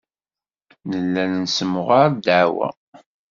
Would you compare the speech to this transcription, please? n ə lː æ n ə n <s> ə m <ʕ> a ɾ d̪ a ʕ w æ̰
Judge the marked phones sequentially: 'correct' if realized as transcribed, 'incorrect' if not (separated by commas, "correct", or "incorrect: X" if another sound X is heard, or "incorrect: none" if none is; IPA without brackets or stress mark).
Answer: correct, incorrect: ʁ